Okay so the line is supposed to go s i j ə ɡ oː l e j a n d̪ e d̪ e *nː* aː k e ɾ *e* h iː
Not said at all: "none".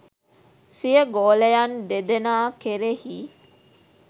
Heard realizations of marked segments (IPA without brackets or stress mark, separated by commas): n, e